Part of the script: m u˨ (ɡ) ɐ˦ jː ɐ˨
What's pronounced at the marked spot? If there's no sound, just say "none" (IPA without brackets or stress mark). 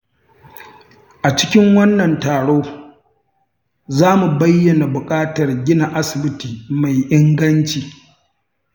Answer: b